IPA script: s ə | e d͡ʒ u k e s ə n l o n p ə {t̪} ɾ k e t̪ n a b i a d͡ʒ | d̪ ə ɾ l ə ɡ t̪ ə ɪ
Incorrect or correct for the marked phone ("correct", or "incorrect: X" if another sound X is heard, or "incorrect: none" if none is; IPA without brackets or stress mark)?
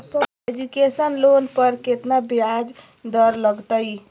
incorrect: none